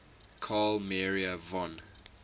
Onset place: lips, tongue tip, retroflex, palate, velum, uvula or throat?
velum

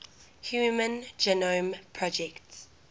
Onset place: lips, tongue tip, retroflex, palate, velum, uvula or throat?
throat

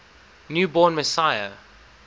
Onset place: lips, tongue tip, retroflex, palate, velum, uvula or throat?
tongue tip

